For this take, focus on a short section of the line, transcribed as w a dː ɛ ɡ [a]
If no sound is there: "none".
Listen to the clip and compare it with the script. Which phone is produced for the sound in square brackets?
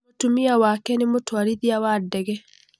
ɛ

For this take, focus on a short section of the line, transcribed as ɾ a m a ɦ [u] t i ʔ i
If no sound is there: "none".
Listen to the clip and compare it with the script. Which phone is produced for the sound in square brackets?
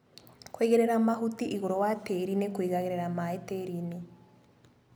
u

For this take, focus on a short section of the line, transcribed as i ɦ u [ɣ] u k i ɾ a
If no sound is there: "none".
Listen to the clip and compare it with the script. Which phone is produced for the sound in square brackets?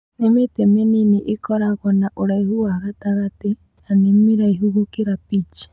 ɣ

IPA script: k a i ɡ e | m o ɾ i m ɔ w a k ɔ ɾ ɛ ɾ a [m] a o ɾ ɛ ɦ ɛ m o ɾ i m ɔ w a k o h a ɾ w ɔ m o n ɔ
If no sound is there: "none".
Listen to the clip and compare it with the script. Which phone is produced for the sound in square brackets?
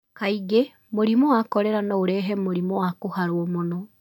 n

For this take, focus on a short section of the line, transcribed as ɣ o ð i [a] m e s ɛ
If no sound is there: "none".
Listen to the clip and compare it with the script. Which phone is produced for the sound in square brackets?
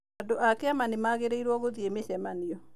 e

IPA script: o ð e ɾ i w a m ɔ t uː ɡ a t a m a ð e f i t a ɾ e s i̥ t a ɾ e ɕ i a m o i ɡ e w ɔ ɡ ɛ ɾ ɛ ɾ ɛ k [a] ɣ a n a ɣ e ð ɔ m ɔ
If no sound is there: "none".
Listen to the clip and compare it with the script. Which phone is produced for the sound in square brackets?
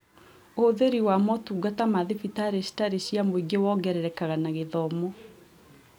a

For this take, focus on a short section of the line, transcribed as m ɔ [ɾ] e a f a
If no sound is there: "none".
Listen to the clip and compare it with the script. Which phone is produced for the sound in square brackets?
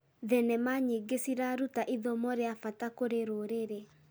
ɾ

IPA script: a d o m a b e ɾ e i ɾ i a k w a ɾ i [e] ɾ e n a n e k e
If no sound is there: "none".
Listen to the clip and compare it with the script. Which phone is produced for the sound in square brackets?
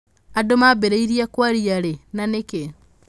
a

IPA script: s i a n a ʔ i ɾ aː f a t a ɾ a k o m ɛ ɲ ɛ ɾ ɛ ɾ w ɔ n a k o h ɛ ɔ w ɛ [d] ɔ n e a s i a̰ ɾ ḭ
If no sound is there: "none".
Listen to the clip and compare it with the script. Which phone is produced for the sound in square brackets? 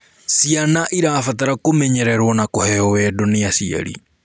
d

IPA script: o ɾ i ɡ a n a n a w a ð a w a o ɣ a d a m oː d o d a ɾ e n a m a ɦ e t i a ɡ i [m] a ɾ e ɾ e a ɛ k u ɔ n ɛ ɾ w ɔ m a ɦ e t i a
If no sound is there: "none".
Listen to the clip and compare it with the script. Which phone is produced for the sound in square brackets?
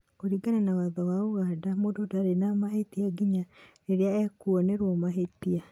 ɲ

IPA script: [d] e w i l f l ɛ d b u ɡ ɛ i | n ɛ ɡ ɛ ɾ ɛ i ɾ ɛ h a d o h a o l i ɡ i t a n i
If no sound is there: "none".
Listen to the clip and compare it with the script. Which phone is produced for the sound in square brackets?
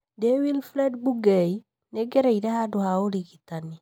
d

